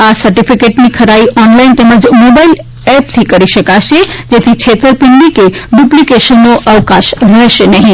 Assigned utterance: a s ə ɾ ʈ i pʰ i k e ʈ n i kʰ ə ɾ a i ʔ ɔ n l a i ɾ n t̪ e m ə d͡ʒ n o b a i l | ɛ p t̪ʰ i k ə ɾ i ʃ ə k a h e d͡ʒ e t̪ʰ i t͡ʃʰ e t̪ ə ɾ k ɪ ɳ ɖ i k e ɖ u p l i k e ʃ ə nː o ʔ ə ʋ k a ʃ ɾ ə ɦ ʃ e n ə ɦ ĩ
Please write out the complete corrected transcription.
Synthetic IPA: a s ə ɾ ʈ i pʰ i k e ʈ n i kʰ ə ɾ a i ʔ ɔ n l a i n t̪ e m ə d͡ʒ m o b a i l | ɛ p t̪ʰ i k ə ɾ i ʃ ə k a ʃ e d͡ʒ e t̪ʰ i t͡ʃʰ e t̪ ə ɾ p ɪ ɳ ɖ i k e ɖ u p l i k e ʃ ə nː o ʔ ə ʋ k a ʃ ɾ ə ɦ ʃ e n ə ɦ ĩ